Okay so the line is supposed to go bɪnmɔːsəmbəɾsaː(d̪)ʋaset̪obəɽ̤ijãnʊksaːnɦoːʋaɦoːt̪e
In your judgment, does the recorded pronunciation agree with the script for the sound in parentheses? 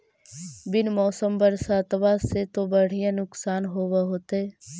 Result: no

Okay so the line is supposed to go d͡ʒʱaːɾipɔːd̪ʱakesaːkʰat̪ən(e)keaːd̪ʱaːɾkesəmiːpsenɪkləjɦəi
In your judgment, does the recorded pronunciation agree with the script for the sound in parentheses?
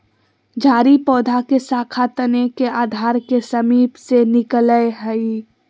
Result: yes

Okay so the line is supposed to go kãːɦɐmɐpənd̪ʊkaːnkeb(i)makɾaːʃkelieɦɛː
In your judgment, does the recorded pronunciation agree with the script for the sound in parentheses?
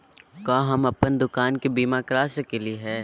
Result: no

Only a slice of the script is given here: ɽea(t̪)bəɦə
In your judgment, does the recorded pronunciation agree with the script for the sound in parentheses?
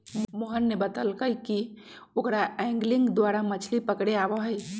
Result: no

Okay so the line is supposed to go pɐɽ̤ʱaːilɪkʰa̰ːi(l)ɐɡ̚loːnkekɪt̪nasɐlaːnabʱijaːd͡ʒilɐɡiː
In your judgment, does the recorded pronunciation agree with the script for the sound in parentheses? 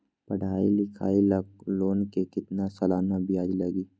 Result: yes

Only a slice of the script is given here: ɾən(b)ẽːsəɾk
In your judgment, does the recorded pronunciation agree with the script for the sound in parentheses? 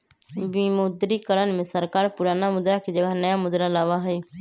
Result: no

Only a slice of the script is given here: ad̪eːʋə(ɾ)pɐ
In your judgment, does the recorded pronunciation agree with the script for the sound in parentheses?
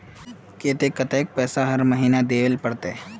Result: no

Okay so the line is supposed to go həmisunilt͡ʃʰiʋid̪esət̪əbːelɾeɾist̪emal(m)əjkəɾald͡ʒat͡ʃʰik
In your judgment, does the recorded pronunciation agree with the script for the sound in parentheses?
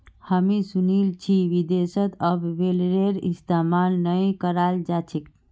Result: no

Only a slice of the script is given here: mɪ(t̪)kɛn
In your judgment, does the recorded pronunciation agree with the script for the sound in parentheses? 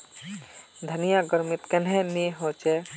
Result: yes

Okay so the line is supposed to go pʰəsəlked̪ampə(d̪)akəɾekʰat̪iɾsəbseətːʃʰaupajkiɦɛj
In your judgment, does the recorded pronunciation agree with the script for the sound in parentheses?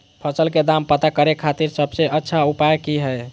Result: no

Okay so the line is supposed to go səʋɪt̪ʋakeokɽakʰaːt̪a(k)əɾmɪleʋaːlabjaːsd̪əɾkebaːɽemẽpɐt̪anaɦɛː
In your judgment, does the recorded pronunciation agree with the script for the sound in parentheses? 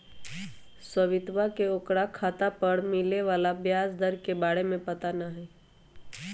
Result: no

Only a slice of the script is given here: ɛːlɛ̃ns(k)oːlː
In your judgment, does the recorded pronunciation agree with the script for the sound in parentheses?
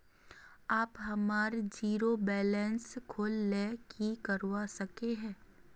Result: no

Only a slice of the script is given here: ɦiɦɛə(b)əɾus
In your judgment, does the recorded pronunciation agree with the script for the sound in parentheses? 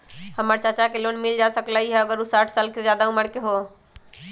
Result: no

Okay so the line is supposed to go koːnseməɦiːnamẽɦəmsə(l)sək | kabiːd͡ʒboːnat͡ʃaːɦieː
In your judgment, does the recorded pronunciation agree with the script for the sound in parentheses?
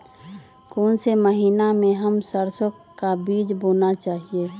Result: no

